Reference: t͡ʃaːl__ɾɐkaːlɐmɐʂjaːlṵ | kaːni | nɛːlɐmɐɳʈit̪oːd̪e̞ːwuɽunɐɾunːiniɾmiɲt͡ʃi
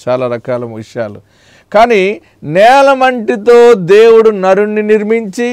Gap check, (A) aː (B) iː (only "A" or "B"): A